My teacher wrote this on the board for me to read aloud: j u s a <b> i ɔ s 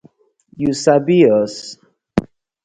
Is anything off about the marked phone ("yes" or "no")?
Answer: no